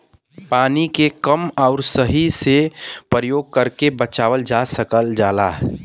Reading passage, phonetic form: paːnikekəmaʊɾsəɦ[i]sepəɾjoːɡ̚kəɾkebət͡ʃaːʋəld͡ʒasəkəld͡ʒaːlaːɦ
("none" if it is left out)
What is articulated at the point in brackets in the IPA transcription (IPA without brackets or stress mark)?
i